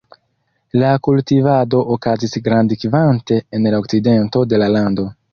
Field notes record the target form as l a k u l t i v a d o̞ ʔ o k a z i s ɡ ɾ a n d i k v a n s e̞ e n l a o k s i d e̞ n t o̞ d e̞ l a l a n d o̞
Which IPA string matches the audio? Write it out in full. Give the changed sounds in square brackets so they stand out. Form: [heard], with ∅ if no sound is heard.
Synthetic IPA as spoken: l a k u l t i v a d o̞ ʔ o k a z i s ɡ ɾ a n d i k v a n [t] e̞ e n l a o k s i d e̞ n t o̞ d e̞ l a l a n d o̞